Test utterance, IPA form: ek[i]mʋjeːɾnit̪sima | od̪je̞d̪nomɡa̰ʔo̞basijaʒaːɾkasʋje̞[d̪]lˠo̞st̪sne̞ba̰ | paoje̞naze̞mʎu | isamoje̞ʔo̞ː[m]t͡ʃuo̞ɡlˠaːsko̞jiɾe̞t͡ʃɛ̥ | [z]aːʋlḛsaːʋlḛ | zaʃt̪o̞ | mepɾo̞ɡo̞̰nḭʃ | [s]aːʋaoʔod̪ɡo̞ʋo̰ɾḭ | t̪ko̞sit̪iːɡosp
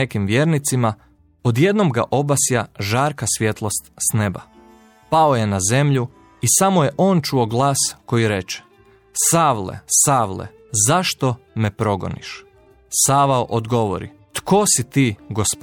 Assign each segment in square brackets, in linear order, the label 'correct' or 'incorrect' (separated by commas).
correct, incorrect, incorrect, incorrect, correct